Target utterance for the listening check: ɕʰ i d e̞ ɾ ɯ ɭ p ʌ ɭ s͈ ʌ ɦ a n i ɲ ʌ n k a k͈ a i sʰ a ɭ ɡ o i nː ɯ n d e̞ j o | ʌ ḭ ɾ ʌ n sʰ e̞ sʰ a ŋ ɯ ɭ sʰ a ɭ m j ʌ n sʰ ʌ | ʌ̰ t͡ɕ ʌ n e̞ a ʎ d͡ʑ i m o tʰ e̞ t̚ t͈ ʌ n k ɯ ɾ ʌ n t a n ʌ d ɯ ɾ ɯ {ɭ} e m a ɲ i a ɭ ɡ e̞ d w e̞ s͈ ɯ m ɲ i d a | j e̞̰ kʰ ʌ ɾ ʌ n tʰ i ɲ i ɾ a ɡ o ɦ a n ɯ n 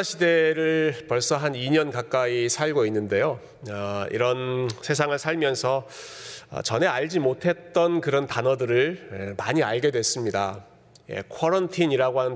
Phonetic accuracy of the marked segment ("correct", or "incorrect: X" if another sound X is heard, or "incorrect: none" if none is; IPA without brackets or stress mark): correct